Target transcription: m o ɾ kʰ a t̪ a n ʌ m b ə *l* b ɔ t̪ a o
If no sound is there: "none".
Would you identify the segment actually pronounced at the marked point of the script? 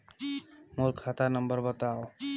ɾ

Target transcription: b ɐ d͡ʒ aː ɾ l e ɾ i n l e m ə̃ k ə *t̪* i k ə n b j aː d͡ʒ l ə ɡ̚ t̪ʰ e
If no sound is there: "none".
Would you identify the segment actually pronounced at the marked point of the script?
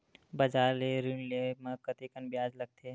t̪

